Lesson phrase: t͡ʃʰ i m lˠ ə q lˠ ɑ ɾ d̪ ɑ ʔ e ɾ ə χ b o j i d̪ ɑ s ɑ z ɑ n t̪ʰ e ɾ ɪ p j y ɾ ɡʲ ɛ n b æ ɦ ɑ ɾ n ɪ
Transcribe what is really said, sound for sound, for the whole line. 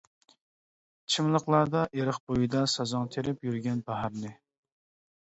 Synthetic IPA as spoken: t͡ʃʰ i m lˠ ə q lˠ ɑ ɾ d̪ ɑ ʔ e ɾ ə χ b o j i d̪ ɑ s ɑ z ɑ ŋ t̪ʰ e ɾ ɪ p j y ɾ ɡʲ ɛ n b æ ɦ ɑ ɾ n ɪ